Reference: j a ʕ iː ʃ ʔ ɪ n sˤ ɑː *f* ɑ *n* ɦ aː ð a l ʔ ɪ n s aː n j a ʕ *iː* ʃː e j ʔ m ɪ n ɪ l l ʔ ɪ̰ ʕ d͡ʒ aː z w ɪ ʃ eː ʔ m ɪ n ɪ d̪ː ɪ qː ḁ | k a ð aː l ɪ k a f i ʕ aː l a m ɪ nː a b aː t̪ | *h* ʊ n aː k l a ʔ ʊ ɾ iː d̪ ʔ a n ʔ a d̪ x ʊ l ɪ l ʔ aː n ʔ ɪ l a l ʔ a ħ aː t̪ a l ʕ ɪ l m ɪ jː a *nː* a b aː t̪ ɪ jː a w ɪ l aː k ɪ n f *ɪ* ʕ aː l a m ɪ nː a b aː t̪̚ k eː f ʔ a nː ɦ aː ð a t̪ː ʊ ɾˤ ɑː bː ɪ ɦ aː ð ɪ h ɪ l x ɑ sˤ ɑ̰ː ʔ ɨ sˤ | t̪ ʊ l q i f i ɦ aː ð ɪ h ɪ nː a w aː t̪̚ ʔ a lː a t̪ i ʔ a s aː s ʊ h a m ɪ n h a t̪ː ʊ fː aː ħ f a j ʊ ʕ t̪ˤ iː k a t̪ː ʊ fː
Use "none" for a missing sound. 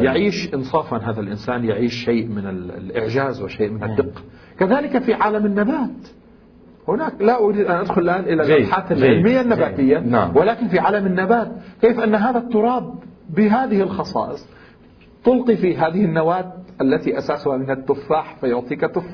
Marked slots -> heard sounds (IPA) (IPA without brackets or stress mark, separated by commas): f, n, iː, h, nː, i